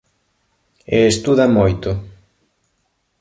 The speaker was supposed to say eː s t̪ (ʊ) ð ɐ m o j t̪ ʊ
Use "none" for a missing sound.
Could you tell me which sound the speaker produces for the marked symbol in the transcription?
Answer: u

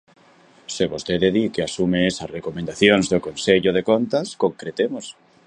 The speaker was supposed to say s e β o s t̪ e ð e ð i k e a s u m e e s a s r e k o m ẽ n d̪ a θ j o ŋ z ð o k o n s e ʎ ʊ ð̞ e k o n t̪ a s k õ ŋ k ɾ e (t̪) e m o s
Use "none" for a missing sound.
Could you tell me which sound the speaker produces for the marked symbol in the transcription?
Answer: t̪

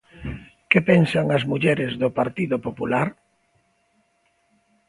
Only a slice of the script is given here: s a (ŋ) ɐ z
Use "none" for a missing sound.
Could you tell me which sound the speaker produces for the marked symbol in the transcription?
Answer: ŋ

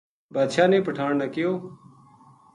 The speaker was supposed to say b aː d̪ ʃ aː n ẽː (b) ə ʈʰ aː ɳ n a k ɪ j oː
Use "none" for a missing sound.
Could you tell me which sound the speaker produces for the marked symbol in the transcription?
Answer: p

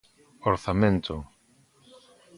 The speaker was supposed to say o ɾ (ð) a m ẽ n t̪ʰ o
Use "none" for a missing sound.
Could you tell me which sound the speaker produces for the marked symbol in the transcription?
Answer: θ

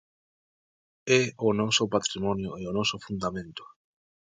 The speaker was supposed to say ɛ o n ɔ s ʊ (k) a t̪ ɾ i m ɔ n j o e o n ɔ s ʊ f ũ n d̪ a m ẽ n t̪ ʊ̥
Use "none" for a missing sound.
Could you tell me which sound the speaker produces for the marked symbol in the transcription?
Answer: p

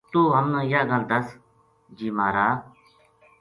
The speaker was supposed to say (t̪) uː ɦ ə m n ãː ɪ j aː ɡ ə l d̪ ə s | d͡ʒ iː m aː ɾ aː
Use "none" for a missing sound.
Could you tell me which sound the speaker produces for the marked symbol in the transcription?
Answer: t̪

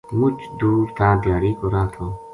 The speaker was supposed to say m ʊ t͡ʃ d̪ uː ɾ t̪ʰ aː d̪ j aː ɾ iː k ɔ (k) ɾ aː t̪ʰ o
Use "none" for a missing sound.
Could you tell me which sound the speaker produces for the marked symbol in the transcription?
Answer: none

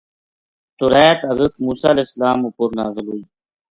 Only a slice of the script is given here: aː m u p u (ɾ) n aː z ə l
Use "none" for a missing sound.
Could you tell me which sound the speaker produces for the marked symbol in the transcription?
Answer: ɾ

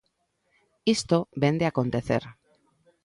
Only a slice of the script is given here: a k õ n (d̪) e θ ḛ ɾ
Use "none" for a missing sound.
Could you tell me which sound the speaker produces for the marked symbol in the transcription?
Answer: t̪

